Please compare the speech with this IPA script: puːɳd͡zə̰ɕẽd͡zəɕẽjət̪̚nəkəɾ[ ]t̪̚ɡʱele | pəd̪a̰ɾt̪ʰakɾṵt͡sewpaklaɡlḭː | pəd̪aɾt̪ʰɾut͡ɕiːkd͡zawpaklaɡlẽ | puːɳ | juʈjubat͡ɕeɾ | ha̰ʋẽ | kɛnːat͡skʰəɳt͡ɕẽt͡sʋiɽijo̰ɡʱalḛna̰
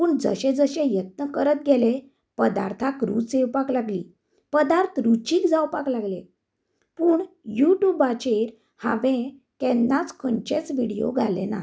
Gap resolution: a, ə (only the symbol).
ə